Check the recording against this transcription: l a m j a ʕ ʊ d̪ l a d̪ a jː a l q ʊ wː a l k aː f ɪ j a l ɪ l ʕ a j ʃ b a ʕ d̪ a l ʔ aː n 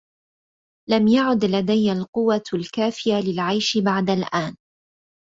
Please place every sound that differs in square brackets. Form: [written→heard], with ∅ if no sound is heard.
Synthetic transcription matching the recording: l a m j a ʕ ʊ d̪ l a d̪ a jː a l q ʊ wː a l k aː f ɪ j a l ɪ l ʕ a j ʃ b a ʕ d̪ a l ʔ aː n